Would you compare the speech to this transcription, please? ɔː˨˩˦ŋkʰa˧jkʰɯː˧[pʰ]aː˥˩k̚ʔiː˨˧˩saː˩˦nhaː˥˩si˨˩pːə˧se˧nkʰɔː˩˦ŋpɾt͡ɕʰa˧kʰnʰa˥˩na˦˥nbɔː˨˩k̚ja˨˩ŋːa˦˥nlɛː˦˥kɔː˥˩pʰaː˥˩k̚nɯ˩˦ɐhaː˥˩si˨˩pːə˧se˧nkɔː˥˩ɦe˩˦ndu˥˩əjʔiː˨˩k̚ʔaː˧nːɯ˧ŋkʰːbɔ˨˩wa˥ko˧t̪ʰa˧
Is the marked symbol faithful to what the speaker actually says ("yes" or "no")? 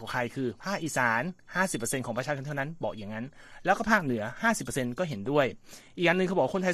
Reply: yes